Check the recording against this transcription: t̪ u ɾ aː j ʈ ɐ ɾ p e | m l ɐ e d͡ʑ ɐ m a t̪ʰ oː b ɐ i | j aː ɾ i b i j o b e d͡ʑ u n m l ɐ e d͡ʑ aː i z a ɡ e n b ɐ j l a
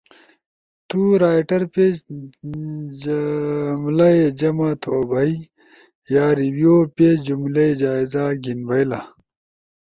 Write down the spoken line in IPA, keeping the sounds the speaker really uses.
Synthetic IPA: t̪ u ɾ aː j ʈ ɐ ɾ p e | m l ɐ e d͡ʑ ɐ m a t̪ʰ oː b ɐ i | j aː ɾ i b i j o p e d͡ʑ u m l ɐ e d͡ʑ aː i z a ɡ i n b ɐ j l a